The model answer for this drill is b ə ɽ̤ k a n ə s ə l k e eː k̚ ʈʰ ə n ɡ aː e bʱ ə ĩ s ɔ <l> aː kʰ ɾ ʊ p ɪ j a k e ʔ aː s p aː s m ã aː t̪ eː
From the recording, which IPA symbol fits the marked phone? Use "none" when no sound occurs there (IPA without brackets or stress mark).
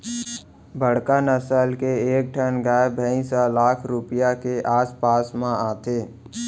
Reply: l